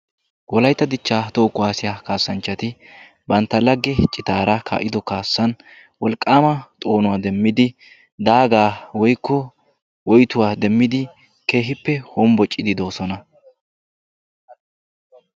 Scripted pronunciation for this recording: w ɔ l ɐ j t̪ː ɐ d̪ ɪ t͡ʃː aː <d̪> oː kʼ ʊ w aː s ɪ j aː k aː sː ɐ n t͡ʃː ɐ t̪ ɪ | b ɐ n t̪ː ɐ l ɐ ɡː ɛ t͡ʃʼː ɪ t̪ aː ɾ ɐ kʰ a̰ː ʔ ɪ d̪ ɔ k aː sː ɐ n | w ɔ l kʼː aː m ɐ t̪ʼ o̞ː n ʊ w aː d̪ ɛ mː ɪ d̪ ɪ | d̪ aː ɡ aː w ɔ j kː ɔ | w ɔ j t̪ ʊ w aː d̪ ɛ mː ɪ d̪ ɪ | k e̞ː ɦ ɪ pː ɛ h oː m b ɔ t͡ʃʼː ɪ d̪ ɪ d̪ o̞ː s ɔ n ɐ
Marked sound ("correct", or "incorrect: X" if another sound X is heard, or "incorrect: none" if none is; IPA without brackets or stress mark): incorrect: t̪